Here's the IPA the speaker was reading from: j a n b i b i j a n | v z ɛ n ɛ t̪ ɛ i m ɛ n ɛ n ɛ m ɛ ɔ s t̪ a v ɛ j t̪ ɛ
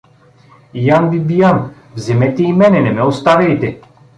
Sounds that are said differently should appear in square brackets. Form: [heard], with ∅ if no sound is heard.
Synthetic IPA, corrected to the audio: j a n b i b i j a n | v z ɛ [m] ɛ t̪ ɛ i m ɛ n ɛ n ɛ m ɛ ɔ s t̪ a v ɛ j t̪ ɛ